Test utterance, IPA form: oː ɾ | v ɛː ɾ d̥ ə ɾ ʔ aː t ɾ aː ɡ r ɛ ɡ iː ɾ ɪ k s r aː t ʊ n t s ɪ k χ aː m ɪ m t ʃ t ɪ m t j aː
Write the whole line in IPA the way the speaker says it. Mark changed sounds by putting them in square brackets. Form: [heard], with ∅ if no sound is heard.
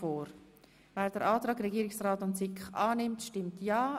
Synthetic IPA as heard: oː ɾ | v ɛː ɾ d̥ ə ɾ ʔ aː t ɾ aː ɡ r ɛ ɡ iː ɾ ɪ k s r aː t ʊ n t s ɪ k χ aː [n] ɪ m t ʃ t ɪ m t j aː